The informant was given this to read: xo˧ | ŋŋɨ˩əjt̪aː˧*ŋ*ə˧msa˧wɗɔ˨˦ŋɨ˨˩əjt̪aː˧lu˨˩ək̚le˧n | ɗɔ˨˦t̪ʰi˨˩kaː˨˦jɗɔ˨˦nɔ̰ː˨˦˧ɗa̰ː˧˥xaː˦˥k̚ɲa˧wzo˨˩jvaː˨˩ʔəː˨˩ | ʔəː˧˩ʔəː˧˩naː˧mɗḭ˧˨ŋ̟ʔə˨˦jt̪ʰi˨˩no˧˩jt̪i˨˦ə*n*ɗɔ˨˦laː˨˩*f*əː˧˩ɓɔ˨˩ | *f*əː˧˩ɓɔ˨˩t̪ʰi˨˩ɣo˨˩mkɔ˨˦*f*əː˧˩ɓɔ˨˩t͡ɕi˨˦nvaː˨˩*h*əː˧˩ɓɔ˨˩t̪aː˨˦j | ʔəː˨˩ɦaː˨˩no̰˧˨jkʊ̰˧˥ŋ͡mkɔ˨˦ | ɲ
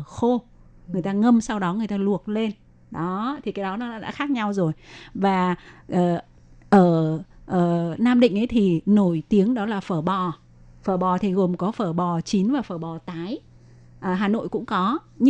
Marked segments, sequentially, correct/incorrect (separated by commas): correct, incorrect, correct, correct, correct, incorrect